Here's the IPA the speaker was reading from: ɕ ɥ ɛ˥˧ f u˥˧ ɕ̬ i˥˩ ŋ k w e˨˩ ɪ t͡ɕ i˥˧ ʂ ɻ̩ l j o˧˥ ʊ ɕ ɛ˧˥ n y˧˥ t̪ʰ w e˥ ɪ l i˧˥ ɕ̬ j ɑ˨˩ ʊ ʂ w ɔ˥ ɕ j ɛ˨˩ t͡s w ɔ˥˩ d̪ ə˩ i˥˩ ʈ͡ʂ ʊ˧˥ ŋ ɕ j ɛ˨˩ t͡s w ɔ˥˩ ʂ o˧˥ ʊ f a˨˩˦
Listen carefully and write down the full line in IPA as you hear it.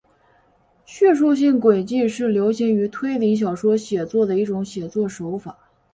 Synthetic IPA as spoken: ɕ ɥ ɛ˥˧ ʂ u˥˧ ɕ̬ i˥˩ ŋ k w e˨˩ ɪ t͡ɕ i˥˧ ʂ ɻ̩ l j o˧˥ ʊ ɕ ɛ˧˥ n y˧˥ t̪ʰ w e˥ ɪ l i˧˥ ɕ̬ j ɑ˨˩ ʊ ʂ w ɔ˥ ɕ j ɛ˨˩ t͡s w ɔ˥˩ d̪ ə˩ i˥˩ ʈ͡ʂ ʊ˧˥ ŋ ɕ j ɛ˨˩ t͡s w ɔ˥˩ ʂ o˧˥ ʊ f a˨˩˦

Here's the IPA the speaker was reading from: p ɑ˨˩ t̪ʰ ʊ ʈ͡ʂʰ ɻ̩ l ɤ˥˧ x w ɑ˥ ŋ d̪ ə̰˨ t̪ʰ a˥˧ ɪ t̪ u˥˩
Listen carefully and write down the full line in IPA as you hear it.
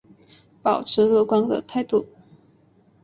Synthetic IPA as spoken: p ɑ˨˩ ʊ ʈ͡ʂʰ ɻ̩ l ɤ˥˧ k w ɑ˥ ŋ d̪ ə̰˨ t̪ʰ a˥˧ ɪ t̪ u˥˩

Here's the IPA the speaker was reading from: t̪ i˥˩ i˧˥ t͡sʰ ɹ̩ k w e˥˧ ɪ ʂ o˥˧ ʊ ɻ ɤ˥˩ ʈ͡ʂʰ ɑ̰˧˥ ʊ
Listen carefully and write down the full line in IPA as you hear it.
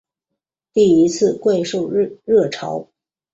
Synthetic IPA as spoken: t̪ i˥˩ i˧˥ t͡sʰ ɹ̩ k w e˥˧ ɪ ʂ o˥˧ ʊ ɻ ɤ˥˩ ʈ͡ʂʰ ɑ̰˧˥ ʊ

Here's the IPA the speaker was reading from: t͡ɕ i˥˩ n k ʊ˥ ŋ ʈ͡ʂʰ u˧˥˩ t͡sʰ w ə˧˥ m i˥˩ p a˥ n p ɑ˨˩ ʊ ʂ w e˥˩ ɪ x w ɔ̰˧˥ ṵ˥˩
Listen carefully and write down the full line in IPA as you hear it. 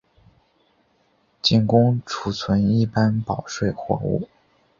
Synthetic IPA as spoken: t͡ɕ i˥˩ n k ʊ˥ ŋ ʈ͡ʂʰ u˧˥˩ t͡sʰ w ə˧˥ n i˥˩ p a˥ n p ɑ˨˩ ʊ ʂ w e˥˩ ɪ x w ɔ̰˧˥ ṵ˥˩

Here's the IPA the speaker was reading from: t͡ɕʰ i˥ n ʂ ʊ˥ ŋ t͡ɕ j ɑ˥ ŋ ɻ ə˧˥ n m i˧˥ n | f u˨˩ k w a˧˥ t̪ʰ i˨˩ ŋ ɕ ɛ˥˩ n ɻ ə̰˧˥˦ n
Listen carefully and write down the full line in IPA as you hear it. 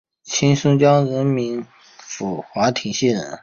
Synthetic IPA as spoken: t͡ɕʰ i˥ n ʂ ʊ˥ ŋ t͡ɕ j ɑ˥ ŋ ɻ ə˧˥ n m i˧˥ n | f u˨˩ x w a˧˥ t̪ʰ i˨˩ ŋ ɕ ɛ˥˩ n ɻ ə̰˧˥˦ n

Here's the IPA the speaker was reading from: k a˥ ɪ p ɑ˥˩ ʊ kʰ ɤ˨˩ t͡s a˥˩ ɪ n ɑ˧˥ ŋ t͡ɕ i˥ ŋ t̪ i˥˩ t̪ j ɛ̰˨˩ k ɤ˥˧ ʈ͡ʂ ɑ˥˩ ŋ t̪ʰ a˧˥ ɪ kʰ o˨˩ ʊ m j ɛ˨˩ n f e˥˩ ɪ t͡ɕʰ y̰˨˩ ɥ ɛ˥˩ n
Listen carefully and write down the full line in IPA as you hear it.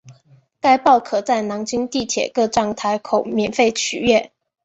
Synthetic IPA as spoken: k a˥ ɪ p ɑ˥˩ ʊ kʰ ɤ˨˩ t͡s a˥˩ ɪ n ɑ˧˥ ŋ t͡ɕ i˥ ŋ t̪ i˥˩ t̪ʰ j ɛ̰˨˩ k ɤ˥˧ ʈ͡ʂ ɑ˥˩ ŋ t̪ʰ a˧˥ ɪ kʰ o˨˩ ʊ m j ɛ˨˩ n f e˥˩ ɪ t͡ɕʰ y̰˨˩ ɥ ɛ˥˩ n

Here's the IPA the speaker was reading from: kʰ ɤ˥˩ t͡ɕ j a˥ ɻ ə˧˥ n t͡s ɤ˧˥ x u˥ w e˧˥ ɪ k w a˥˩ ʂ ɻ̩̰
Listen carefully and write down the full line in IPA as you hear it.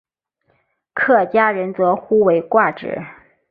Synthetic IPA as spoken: kʰ ɤ˥˩ t͡ɕ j a˥ ɻ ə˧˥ n t͡s ɤ˧˥ x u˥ w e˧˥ ɪ k w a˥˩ ʈ͡ʂ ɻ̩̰

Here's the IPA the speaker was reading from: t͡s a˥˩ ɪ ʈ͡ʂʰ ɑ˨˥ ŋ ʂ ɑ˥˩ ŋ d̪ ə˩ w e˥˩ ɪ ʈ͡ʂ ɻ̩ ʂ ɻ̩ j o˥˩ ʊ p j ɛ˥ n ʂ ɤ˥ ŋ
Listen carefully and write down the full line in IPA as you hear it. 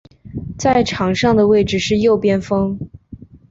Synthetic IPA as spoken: t͡s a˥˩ ɪ ʈ͡ʂʰ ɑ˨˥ ŋ ʂ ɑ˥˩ ŋ d̪ ə˩ w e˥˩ ɪ ʈ͡ʂ ɻ̩ ʂ ɻ̩ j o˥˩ ʊ p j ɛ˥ n f ɤ˥ ŋ

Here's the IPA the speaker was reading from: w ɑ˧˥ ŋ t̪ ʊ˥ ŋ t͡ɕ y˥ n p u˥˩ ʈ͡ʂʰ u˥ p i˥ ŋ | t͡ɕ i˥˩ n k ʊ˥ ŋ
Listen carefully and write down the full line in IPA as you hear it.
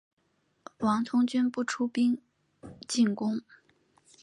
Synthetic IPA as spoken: w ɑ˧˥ ŋ t̪ʰ ʊ˥ ŋ t͡ɕ y˥ n p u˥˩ ʈ͡ʂʰ u˥ p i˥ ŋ | t͡ɕ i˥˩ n k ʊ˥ ŋ

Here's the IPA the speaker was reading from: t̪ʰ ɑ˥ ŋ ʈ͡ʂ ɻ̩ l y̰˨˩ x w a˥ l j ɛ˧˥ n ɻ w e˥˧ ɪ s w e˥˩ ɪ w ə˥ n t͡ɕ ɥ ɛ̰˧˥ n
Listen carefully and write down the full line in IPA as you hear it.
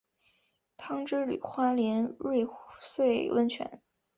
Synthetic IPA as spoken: t̪ʰ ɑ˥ ŋ ʈ͡ʂ ɻ̩ l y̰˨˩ x w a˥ l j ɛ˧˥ n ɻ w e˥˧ ɪ s w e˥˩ ɪ w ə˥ n t͡ɕʰ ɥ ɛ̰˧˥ n

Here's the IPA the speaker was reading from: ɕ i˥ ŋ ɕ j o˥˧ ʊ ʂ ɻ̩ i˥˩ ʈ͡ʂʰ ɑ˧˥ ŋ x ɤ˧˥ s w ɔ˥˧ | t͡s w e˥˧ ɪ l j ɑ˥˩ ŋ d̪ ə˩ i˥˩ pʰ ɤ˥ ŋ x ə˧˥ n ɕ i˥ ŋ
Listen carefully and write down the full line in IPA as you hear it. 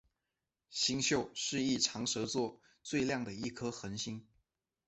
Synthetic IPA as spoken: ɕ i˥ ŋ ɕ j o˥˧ ʊ ʂ ɻ̩ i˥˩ ʈ͡ʂʰ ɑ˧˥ ŋ ʂ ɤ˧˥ t͡s w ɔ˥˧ | t͡s w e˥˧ ɪ l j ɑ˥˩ ŋ d̪ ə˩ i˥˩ kʰ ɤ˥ x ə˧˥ n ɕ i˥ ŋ

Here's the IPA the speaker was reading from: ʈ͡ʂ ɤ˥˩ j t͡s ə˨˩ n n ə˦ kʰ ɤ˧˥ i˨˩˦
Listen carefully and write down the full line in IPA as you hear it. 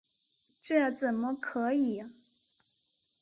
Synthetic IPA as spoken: ʈ͡ʂ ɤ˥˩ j t͡s ə˨˩ n m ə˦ kʰ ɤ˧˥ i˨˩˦

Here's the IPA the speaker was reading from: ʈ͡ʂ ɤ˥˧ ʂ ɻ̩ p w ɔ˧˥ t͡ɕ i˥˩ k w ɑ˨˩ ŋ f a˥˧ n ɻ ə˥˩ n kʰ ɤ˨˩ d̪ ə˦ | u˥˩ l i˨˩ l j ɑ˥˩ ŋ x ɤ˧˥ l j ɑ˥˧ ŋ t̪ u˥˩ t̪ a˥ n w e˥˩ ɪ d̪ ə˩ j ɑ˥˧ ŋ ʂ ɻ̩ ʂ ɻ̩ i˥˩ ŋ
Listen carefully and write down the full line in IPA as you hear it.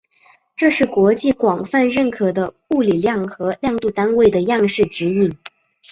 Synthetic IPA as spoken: ʈ͡ʂ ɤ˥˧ ʂ ɻ̩ k w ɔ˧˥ t͡ɕ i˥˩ k w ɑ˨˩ ŋ f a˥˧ n ɻ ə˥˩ n kʰ ɤ˨˩ d̪ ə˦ | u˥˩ l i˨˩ l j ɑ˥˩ ŋ x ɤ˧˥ l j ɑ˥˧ ŋ t̪ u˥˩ t̪ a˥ n w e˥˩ ɪ d̪ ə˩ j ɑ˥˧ ŋ ʂ ɻ̩ ʈ͡ʂ ɻ̩ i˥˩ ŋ

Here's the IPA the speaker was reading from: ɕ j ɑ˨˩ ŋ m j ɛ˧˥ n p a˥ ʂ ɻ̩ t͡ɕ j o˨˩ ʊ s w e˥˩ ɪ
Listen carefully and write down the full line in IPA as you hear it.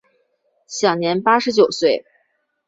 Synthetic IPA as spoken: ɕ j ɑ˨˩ ŋ n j ɛ˧˥ n p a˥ ʂ ɻ̩ t͡ɕ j o˨˩ ʊ s w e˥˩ ɪ

